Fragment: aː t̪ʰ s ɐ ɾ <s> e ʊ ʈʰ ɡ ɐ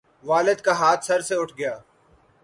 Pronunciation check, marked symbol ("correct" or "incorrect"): correct